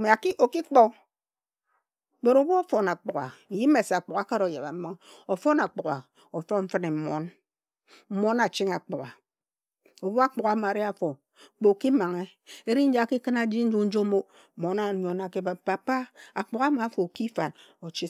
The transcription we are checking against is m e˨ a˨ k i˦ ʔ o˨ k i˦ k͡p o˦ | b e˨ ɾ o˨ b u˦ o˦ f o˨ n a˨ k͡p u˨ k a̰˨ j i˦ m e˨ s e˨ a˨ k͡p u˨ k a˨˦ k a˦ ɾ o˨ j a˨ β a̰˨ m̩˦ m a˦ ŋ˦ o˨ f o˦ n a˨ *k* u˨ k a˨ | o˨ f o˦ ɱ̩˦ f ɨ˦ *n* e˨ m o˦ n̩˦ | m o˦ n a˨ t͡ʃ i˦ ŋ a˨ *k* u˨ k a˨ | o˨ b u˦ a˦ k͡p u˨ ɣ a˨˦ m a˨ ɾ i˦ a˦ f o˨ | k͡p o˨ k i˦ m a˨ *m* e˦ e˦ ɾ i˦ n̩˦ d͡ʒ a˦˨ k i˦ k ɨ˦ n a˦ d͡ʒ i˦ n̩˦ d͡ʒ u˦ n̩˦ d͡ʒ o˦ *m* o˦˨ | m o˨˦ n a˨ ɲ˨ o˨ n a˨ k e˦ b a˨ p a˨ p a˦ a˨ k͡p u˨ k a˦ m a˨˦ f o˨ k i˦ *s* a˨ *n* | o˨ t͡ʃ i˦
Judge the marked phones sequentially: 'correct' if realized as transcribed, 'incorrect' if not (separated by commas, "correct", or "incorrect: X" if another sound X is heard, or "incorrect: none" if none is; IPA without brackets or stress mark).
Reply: incorrect: k͡p, correct, incorrect: k͡p, incorrect: ŋ, correct, incorrect: f, correct